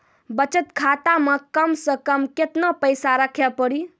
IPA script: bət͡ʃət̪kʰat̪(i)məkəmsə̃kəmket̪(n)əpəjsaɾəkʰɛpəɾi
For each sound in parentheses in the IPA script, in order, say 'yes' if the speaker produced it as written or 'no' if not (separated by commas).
no, yes